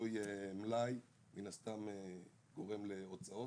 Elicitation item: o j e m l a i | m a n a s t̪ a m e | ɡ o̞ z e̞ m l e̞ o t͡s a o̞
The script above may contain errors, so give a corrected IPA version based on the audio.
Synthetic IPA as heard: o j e m l a j | m i n a s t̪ a m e | ɡ o̞ ʁ e̞ m l e̞ o t͡s a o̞